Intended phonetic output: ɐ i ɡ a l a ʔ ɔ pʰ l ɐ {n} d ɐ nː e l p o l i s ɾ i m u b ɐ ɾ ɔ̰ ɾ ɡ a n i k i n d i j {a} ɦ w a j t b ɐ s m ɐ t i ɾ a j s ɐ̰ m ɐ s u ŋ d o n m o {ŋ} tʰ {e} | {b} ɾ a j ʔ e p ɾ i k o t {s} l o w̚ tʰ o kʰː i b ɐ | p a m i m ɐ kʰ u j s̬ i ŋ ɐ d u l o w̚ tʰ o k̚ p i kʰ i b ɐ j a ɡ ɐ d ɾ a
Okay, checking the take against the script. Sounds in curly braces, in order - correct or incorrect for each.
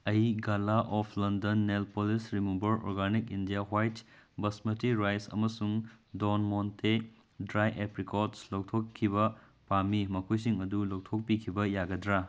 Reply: correct, correct, incorrect: n, correct, incorrect: d, correct

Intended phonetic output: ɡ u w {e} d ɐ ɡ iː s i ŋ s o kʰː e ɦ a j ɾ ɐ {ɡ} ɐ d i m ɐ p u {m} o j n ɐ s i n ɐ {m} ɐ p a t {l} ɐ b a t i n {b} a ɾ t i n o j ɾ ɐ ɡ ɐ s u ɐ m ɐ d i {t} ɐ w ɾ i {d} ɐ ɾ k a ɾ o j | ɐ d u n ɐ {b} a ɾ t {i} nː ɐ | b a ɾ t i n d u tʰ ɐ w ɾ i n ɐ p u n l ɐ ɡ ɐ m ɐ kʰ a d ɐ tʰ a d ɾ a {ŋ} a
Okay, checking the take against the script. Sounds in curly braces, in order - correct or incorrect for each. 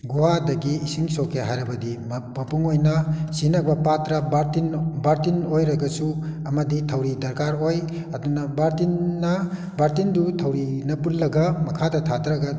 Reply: incorrect: a, incorrect: b, incorrect: ŋ, incorrect: b, incorrect: ɾ, correct, incorrect: tʰ, correct, correct, correct, incorrect: ɡ

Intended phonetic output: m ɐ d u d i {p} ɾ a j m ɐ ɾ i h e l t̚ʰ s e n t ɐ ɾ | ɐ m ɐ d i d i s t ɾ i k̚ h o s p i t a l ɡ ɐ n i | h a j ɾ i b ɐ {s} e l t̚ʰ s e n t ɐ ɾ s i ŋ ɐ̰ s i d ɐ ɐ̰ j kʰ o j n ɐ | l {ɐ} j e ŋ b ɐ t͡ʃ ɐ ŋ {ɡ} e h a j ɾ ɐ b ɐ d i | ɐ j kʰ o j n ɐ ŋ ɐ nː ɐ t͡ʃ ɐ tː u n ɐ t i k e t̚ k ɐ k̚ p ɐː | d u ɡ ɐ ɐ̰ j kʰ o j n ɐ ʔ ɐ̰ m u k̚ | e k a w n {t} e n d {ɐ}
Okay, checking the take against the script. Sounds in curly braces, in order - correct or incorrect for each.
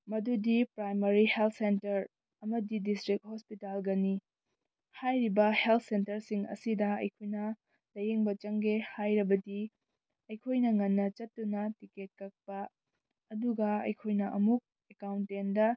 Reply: correct, incorrect: h, correct, correct, correct, correct

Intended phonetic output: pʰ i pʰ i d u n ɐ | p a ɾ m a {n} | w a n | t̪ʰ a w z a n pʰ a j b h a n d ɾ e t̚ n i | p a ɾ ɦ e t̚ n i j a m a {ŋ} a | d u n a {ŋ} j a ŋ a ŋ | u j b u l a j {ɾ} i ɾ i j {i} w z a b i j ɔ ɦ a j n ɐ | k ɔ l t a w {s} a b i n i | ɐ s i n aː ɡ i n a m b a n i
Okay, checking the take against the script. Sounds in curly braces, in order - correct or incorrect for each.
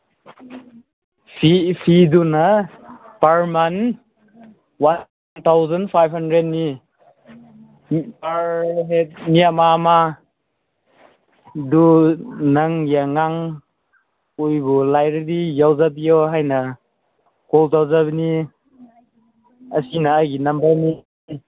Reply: correct, incorrect: m, correct, correct, incorrect: a, incorrect: z

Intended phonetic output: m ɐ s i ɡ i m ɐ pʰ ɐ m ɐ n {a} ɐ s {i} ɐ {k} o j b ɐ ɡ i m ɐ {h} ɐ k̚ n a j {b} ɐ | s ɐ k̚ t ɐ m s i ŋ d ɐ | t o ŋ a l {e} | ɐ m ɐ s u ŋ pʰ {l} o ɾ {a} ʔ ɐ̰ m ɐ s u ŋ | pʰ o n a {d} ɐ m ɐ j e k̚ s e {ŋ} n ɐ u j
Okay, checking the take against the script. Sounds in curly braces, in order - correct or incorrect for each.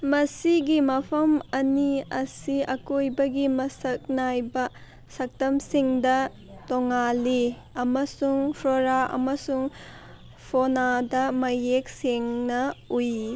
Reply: incorrect: i, correct, correct, incorrect: s, correct, incorrect: i, incorrect: ɾ, correct, correct, correct

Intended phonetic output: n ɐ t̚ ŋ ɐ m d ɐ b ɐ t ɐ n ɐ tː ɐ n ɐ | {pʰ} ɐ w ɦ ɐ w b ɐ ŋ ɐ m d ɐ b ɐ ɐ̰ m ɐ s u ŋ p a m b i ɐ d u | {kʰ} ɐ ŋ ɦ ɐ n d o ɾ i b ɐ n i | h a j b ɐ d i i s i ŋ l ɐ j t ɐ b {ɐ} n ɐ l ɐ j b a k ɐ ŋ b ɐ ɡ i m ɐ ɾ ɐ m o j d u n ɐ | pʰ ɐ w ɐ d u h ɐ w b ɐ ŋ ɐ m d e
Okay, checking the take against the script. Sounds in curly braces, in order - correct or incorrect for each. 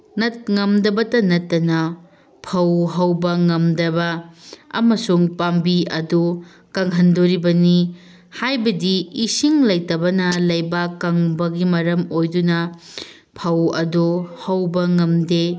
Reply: correct, incorrect: k, correct

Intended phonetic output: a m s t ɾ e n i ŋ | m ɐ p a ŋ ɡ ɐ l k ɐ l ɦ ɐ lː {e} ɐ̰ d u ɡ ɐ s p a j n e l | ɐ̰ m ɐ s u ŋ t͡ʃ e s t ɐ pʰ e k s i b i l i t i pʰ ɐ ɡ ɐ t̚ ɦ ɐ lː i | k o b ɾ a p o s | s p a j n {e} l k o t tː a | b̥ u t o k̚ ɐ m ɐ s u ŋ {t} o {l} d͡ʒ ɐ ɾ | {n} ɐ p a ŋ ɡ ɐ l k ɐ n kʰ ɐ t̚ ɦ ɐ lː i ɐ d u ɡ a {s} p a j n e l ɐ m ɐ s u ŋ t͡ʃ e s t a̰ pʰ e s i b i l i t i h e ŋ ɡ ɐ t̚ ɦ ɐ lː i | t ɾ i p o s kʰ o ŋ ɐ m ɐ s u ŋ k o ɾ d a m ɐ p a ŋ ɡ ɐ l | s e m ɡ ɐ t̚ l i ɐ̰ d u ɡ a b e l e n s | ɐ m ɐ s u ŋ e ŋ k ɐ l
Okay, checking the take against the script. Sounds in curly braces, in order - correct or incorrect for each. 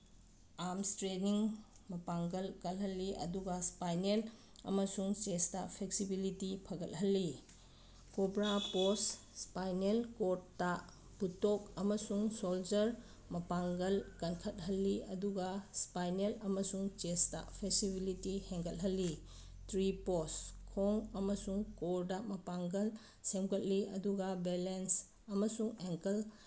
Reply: incorrect: i, correct, incorrect: s, correct, incorrect: m, correct

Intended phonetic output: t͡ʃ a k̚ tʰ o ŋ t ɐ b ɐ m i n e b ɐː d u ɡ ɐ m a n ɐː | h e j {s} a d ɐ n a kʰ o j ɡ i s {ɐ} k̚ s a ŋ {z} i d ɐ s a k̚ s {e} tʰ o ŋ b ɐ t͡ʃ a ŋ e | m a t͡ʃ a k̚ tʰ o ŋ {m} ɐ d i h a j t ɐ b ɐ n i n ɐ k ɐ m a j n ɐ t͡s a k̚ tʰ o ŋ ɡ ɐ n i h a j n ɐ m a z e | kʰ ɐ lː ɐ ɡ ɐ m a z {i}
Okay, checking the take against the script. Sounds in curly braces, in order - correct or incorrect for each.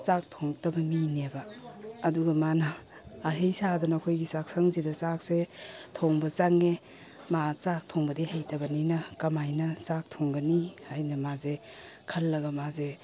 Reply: correct, incorrect: a, correct, correct, incorrect: b, incorrect: e

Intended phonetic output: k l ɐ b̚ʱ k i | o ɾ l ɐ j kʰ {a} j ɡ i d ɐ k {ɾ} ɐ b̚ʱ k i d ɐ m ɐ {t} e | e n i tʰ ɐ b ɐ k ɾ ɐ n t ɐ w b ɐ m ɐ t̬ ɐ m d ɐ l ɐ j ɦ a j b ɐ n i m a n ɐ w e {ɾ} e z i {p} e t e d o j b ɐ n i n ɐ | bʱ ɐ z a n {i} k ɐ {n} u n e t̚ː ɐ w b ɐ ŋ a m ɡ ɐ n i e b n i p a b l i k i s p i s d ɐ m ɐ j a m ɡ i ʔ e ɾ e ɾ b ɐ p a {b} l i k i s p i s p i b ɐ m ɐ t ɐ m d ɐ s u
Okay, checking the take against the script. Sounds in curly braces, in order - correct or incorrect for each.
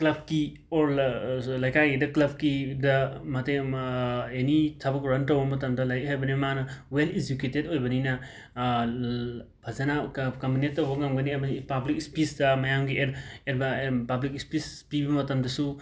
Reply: correct, incorrect: l, correct, incorrect: l, incorrect: k, incorrect: a, incorrect: m, correct

